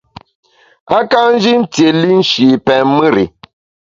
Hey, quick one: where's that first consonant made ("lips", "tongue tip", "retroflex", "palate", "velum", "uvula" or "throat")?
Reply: velum